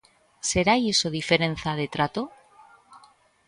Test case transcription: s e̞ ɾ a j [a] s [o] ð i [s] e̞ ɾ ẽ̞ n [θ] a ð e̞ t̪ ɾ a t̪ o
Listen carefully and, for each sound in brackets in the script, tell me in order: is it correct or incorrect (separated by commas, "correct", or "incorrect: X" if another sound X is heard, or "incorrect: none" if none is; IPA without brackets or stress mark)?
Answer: incorrect: e, correct, incorrect: f, correct